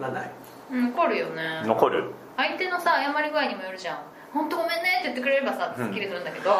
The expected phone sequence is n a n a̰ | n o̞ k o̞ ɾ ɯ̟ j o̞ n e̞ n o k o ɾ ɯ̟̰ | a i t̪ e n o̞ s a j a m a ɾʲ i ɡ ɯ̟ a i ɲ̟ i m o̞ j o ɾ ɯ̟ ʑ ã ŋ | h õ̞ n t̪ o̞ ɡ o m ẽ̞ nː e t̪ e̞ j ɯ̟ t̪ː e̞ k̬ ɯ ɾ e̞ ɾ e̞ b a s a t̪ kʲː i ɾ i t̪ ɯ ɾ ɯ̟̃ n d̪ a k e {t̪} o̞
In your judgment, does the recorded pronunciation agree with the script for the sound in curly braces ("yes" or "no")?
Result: no